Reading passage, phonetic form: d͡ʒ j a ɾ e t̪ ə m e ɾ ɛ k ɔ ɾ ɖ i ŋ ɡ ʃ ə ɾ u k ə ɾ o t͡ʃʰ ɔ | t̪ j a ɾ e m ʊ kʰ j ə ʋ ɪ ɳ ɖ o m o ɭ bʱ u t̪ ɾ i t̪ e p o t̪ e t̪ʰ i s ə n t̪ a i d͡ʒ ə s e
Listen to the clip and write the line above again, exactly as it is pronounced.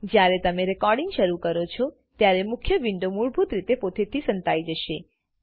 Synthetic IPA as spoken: d͡ʒ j a ɾ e t̪ ə m e ɾ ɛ k ɔ ɾ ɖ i ŋ ɡ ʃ ə ɾ u k ə ɾ o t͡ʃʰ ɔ | t̪ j a ɾ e m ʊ kʰ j ə ʋ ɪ ɳ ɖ o m u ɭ bʱ u t̪ ɾ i t̪ e p o t̪ e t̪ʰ i s ə n t̪ a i d͡ʒ ə ʃ e